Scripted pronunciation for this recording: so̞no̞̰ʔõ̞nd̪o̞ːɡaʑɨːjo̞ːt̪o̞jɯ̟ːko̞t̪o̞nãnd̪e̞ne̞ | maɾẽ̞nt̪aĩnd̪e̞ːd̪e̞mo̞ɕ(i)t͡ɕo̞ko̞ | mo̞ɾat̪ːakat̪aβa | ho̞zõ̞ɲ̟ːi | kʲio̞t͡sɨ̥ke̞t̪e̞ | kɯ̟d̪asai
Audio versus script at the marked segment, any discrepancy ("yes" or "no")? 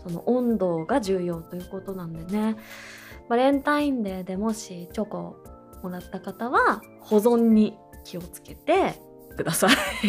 no